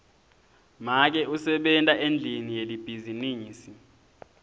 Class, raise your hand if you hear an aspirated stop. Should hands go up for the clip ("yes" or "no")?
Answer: no